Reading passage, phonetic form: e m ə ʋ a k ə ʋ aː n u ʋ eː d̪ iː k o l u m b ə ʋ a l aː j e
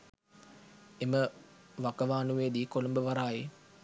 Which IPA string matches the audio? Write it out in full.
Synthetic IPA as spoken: e m ə ʋ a k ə ʋ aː n u ʋ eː d̪ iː k o l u m b ə ʋ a ɾ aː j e